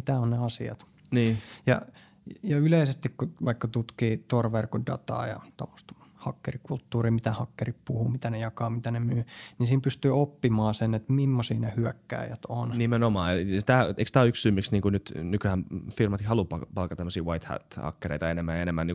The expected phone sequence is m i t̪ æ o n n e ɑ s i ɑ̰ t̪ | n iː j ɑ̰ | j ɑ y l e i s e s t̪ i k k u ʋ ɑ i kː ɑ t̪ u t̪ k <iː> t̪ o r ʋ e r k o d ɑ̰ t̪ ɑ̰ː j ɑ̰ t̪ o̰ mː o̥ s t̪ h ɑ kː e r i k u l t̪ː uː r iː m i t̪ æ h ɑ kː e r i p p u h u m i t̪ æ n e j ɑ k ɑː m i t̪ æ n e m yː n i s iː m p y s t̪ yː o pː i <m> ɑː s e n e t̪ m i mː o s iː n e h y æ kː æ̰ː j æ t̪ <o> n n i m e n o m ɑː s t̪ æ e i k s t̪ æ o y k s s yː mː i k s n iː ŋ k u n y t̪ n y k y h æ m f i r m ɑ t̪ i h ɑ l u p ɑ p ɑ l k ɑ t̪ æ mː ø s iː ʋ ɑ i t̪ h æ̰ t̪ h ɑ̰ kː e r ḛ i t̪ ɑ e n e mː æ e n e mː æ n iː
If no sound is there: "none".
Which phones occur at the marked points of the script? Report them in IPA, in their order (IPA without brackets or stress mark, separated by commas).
iː, m, o